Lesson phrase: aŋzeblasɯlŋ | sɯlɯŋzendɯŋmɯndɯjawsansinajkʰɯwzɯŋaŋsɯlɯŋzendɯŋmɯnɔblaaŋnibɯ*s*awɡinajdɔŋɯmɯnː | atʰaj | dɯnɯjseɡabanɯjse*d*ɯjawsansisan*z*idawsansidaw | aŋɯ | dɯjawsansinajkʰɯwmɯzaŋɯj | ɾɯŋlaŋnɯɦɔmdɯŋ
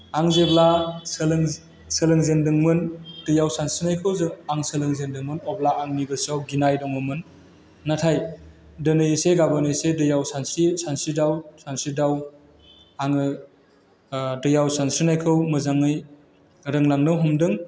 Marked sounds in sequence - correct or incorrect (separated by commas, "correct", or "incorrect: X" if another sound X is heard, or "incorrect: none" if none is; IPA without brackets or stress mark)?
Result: correct, correct, incorrect: s